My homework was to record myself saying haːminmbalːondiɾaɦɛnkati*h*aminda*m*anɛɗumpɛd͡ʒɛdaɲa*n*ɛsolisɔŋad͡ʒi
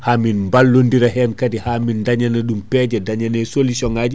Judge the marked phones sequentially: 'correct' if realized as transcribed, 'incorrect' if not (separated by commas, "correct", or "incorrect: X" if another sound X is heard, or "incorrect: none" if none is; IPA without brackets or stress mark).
correct, incorrect: ɲ, correct